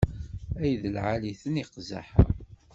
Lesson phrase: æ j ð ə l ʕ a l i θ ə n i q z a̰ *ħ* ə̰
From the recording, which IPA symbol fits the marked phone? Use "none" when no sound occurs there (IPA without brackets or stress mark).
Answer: ħ